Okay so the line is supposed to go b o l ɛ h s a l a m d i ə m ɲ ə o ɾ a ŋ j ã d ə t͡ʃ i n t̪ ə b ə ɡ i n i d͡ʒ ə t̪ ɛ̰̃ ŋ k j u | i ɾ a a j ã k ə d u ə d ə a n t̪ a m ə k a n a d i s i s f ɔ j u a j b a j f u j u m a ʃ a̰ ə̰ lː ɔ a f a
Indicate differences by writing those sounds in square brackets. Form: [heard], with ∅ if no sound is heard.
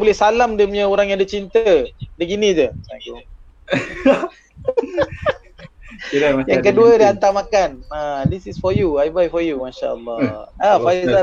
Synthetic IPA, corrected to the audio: b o l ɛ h s a l a m d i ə m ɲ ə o ɾ a ŋ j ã d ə t͡ʃ i n t̪ ə [d] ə ɡ i n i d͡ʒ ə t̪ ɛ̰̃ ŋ k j u | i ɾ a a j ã k ə d u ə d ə a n t̪ a m [a] k a n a d i s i s f ɔ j u a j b a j f [ɔ] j u m a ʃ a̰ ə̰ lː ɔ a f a